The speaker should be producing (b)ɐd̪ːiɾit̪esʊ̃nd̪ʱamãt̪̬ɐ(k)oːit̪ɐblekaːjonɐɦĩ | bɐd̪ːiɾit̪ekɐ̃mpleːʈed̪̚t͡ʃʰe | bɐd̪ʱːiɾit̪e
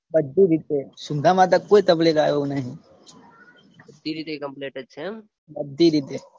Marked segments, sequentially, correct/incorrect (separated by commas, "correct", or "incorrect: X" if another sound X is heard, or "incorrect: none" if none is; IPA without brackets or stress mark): correct, correct